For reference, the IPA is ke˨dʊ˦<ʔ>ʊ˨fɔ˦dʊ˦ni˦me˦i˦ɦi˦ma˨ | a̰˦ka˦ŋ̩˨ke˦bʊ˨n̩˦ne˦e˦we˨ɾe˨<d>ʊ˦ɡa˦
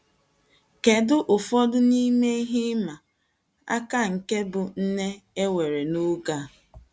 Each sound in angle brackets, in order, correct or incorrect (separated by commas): correct, incorrect